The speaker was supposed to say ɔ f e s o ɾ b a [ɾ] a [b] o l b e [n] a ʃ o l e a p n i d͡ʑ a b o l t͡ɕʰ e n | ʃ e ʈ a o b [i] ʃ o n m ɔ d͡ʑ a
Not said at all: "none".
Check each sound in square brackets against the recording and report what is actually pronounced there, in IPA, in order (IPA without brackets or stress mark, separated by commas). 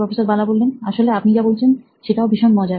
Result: l, b, n, i